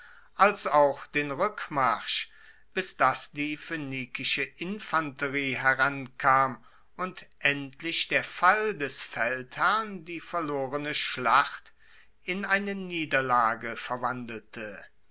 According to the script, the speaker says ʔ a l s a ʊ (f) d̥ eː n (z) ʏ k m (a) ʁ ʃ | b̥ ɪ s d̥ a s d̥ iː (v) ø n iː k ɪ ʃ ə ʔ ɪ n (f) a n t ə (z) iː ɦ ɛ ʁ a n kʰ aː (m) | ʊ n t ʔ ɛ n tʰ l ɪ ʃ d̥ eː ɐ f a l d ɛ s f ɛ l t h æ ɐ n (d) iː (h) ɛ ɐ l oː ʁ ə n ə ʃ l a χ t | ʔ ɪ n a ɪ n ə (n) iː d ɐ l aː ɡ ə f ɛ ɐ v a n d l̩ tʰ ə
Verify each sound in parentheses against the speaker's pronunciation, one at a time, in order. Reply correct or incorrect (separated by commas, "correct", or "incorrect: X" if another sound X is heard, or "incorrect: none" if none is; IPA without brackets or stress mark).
incorrect: x, incorrect: ʁ, correct, incorrect: f, correct, incorrect: ʁ, correct, correct, incorrect: f, correct